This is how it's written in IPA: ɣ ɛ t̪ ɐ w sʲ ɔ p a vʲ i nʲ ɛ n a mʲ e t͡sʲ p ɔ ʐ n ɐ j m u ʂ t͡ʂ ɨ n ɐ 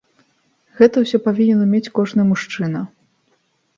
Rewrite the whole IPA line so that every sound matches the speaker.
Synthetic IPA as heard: ɣ ɛ t̪ ɐ w sʲ ɔ p a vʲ i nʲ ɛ n ɐ mʲ e t͡sʲ k ɔ ʐ n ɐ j m u ʂ t͡ʂ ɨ n ɐ